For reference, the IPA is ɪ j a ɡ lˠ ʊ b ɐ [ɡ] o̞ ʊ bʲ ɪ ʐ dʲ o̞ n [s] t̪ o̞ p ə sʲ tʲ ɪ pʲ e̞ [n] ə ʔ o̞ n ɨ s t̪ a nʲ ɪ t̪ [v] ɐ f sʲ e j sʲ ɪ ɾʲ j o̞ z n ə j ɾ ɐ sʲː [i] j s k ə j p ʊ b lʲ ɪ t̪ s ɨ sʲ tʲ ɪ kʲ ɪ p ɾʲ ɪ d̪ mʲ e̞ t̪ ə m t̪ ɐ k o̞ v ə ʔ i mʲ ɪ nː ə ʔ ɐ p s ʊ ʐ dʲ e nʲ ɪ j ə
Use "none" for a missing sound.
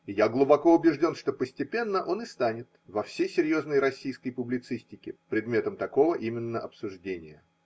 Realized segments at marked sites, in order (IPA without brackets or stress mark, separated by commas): k, ʂ, nː, v, i